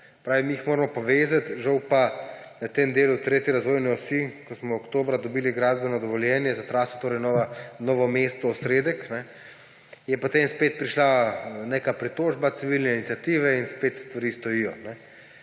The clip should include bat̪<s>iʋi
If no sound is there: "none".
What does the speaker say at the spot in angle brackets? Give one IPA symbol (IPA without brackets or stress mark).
s